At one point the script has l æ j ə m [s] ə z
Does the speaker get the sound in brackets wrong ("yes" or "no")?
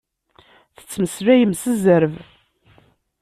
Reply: no